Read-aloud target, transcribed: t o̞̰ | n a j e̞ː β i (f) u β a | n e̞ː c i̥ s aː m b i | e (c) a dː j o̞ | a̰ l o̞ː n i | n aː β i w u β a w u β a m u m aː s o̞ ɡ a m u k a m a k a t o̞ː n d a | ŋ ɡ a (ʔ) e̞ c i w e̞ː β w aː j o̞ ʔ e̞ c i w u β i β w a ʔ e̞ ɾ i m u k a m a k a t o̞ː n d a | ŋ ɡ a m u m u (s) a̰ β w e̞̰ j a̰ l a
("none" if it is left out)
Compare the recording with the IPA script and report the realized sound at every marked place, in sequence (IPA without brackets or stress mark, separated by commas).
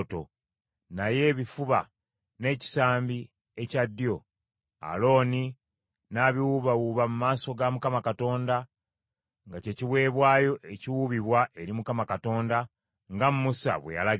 f, c, c, s